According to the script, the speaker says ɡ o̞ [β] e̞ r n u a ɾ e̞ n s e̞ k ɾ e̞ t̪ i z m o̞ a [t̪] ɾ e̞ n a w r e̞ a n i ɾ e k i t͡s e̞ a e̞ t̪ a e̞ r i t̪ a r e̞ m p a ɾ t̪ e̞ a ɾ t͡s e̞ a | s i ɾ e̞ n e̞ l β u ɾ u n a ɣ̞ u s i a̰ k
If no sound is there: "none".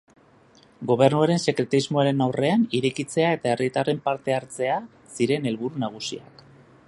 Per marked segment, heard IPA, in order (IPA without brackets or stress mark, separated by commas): β, none